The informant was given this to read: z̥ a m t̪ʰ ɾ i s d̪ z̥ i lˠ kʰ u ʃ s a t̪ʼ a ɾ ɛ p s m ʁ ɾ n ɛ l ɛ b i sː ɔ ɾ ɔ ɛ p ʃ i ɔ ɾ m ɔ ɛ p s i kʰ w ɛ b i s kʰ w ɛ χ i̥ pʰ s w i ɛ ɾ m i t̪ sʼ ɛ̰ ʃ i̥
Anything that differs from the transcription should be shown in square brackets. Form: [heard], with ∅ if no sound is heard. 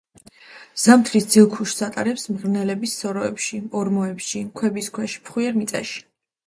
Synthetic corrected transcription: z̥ a m t̪ʰ ɾ i s d̪ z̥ i lˠ kʰ u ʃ s a t̪ʼ a ɾ ɛ p s m ʁ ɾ n ɛ l ɛ b i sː ɔ ɾ ɔ ɛ p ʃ i ɔ ɾ m ɔ ɛ p [ʃ] i kʰ w ɛ b i s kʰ w ɛ [ʃ] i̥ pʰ [χ] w i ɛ ɾ m i t̪ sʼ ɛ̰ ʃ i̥